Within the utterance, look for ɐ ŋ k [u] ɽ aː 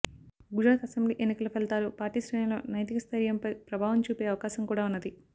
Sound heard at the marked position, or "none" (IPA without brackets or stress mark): uː